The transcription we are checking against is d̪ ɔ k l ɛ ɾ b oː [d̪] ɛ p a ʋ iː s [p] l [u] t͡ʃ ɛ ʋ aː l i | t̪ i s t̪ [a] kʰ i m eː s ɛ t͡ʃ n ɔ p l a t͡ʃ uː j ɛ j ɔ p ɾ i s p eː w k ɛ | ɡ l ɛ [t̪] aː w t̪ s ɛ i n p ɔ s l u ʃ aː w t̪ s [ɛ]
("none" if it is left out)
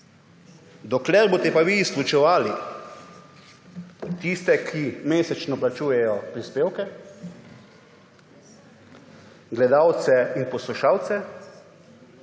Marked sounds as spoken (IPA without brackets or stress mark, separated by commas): t̪, k, u, ɛ, d̪, ɛ